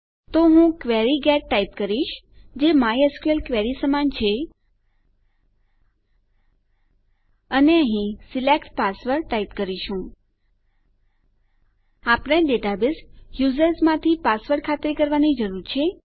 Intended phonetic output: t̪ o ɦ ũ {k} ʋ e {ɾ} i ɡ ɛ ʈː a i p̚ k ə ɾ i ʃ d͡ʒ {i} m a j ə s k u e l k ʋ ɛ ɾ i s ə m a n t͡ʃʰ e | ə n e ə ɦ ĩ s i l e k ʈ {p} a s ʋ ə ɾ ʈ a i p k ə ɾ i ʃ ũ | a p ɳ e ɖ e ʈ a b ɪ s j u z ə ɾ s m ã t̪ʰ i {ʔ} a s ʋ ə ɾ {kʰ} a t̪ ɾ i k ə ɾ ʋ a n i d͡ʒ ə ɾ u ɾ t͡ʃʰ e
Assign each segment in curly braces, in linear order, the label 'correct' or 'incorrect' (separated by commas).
correct, correct, incorrect, correct, incorrect, correct